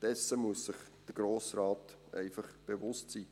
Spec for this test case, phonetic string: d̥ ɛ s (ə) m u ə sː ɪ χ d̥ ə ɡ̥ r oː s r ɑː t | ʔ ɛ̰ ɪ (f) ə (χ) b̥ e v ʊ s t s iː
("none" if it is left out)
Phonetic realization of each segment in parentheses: ə, f, χ

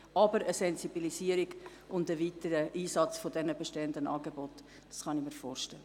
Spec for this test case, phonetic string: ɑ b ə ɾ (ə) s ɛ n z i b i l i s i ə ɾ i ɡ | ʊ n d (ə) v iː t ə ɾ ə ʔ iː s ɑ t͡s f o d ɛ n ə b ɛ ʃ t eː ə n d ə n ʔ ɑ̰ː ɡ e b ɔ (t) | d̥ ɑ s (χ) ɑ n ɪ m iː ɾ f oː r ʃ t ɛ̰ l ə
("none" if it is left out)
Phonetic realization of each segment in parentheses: ə, ə, t, χ

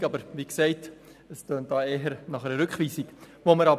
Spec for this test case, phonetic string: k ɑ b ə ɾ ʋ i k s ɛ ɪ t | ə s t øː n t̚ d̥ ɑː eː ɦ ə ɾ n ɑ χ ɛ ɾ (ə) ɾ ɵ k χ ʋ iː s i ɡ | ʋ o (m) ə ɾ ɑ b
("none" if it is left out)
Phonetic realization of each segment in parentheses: ə, m

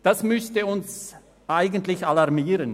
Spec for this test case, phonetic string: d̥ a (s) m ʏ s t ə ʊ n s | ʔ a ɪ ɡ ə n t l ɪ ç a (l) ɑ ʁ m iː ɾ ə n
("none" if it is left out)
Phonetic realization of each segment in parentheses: s, l

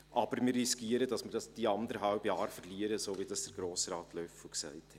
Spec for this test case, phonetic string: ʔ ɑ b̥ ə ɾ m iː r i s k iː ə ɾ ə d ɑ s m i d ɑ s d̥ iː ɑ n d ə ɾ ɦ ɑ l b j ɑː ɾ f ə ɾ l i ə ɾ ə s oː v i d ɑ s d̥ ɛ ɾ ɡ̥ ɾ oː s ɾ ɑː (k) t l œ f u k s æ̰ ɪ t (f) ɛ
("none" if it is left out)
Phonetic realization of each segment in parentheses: none, h

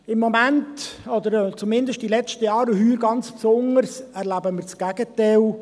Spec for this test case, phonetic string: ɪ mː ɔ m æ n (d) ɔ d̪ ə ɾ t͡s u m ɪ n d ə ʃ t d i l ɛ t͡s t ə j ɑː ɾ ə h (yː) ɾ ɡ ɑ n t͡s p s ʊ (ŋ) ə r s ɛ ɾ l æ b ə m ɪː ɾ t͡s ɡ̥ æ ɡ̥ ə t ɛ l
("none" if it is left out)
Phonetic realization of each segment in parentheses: t, yː, n

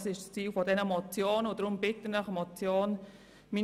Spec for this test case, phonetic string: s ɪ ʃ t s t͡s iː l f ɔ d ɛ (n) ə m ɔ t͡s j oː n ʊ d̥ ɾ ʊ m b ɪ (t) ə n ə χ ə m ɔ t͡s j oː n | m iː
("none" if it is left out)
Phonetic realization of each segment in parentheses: n, t

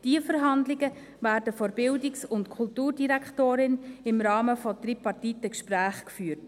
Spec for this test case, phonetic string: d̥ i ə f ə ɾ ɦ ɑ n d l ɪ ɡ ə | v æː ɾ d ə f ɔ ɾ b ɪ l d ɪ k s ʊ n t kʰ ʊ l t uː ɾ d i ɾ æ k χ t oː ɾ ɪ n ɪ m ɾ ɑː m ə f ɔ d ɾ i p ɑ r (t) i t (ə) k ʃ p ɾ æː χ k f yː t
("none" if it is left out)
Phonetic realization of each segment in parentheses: t, ə

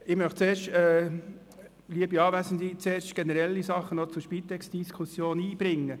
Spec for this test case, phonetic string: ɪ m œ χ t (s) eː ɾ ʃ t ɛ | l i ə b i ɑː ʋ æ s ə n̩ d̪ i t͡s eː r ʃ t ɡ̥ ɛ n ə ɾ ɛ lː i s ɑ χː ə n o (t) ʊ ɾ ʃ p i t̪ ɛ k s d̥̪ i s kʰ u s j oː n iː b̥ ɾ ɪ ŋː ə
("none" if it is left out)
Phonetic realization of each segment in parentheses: t͡s, t͡s

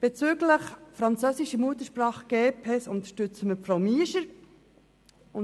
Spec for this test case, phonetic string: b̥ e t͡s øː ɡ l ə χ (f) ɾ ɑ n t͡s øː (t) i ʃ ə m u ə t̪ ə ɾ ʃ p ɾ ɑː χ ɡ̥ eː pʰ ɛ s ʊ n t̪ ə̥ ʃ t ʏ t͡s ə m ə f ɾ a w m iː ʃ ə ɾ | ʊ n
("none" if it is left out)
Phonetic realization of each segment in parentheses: f, s

